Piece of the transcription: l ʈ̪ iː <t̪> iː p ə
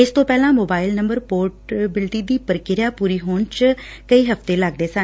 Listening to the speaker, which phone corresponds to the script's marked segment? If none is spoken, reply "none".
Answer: d̪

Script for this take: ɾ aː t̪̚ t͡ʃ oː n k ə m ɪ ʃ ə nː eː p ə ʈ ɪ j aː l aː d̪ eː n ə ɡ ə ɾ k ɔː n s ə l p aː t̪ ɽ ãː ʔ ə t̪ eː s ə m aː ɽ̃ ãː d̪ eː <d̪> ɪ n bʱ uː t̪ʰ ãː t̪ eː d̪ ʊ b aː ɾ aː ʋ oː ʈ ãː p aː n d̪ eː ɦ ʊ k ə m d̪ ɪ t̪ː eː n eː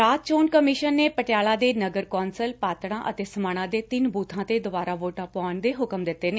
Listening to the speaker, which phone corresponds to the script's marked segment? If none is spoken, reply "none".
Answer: t̪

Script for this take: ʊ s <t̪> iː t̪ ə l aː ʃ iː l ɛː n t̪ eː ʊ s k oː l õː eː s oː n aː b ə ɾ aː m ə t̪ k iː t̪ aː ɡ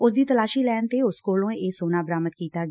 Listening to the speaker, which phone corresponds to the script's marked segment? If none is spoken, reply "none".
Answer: d̪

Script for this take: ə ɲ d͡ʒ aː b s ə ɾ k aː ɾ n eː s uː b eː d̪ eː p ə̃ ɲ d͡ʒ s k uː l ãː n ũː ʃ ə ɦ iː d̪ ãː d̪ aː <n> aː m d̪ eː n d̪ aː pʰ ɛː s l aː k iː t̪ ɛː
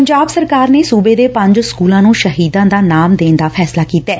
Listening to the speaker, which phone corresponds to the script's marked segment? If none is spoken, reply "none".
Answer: n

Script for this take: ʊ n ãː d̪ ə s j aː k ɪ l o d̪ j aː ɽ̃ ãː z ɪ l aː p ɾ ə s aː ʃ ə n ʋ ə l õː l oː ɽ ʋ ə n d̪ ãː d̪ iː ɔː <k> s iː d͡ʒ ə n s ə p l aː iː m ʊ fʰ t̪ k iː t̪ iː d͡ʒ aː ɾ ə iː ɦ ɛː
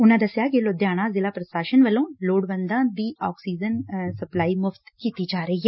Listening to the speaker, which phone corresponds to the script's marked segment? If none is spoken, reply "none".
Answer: k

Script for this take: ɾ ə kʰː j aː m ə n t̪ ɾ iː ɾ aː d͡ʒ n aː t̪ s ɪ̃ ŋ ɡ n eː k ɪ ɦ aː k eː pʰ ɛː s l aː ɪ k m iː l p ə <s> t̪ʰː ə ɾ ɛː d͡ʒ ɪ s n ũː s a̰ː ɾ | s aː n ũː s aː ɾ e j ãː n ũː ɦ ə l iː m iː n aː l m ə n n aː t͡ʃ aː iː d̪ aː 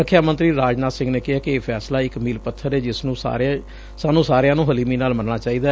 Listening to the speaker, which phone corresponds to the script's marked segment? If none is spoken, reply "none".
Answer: none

